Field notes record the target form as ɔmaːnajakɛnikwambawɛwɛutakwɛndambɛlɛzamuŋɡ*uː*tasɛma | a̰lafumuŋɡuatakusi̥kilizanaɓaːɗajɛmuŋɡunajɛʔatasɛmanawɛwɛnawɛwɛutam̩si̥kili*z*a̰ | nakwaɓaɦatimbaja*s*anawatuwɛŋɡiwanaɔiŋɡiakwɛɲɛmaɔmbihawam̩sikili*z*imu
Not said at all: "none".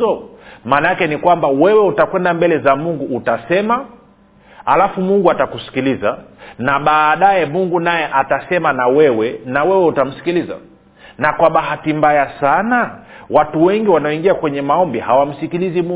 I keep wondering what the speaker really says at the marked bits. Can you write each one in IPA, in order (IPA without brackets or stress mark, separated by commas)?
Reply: uː, z, s, z